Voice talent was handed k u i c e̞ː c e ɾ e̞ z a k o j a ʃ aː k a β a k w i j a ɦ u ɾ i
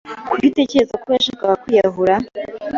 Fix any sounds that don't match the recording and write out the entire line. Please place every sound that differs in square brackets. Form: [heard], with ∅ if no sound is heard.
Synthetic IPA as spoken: k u i [t] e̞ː c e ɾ e̞ z a k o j a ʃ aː k a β a k w i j a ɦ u ɾ [a]

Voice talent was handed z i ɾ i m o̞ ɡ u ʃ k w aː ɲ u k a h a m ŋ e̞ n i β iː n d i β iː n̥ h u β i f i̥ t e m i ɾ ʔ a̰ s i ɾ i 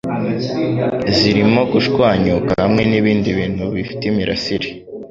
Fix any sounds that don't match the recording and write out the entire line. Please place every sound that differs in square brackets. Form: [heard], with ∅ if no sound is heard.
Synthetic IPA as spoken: z i ɾ i m o̞ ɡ u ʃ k w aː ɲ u k a h a m ŋ e̞ n i β iː n d i β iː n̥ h u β i f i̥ t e m i ɾ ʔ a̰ s i ɾ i

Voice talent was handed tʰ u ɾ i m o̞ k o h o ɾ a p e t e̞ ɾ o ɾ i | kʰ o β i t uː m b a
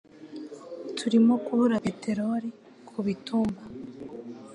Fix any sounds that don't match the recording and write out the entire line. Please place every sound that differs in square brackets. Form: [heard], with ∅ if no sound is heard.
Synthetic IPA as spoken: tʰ u ɾ i m o̞ k [u] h [u] ɾ a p e t e̞ ɾ o ɾ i | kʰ [u] β i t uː m b a

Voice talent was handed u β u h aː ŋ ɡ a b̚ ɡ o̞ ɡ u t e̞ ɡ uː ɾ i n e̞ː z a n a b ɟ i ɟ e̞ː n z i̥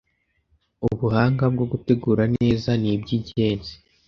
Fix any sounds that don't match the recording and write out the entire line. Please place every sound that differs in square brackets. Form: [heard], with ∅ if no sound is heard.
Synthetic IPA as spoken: u β u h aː ŋ ɡ a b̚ ɡ o̞ ɡ u t e̞ ɡ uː ɾ [a] n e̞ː z a n [i] b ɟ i ɟ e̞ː n z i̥

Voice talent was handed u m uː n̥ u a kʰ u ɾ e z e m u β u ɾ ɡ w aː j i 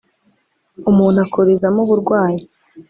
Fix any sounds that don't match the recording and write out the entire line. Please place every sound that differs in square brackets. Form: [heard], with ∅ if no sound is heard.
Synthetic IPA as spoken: u m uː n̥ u a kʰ [o] ɾ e z [a] m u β u ɾ ɡ w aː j i

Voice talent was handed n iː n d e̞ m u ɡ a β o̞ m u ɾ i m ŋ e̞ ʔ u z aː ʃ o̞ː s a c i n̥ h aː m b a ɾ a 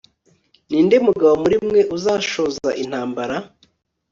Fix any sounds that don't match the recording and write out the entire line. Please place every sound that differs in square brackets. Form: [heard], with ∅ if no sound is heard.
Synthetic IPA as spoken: n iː n d e̞ m u ɡ a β o̞ m u ɾ i m ŋ e̞ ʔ u z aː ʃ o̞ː [z] a [ʔ] i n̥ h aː m b a ɾ a

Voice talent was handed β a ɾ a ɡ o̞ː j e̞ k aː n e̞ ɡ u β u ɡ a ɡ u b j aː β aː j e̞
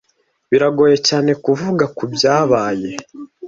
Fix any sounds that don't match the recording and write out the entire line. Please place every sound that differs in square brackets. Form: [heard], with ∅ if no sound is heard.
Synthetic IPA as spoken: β [i] ɾ a ɡ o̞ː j e̞ [c] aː n e̞ [k] u [v] u ɡ a [k] u b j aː β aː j e̞

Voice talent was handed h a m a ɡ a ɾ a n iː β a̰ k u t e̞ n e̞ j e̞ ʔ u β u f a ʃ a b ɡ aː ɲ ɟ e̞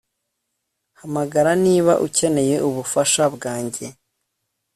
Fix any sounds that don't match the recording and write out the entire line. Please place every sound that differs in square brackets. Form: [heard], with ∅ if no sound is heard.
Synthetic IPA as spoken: h a m a ɡ a ɾ a n iː β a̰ [ʔ] u [c] e̞ n e̞ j e̞ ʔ u β u f a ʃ a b ɡ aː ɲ ɟ e̞

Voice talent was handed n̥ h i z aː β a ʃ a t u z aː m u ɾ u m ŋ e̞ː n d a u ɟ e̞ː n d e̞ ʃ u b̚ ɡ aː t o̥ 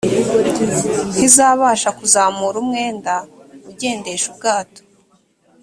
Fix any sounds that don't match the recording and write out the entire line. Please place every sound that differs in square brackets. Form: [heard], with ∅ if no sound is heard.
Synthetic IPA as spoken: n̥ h i z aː β a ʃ a [k] u z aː m u ɾ u m ŋ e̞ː n d a u ɟ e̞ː n d e̞ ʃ u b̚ ɡ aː t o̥

